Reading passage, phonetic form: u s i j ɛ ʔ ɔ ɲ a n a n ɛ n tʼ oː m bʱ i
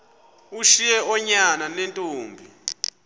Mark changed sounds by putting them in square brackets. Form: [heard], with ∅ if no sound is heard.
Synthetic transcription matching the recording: u [ʃ] i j ɛ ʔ ɔ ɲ a n a n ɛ n tʼ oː m bʱ i